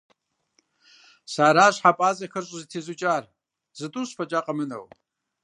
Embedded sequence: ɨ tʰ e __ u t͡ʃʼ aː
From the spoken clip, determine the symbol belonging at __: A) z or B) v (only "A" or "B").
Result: A